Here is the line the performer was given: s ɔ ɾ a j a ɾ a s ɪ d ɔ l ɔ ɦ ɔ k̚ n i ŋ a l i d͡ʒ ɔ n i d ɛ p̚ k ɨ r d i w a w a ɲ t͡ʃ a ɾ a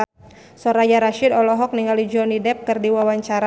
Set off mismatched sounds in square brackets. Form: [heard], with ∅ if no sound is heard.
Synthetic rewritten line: s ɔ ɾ a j a ɾ a [ʃ] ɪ d ɔ l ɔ ɦ ɔ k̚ n i ŋ a l i d͡ʒ ɔ n i d ɛ p̚ k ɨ r d i w a w a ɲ t͡ʃ a ɾ a